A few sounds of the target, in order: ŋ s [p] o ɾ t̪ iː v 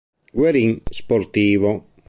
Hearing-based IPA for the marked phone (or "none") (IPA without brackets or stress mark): p